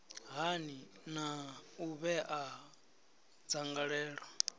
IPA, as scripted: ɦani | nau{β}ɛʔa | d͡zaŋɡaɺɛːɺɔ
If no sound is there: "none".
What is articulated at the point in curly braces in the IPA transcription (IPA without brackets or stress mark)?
β